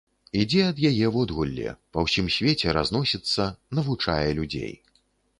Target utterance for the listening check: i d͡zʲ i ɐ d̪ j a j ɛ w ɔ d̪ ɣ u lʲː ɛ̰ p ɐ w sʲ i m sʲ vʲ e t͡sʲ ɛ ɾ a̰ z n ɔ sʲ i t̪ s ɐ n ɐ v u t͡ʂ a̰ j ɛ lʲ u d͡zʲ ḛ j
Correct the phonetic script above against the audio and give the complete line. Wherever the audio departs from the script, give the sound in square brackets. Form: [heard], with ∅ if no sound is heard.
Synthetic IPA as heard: i d͡zʲ [ɛ] ɐ d̪ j a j ɛ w ɔ d̪ ɣ u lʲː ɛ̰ p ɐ w sʲ i m sʲ vʲ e t͡sʲ ɛ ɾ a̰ z n ɔ sʲ i t̪ [sː] ɐ n ɐ v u t͡ʂ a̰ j ɛ lʲ u d͡zʲ ḛ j